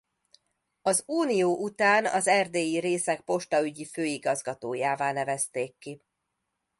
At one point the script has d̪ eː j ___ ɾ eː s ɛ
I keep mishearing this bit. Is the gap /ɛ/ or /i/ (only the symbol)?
i